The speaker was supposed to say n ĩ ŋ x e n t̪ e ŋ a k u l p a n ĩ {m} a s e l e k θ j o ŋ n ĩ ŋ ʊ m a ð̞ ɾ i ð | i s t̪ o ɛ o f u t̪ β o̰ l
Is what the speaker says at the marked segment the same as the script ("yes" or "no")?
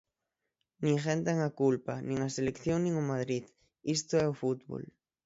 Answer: no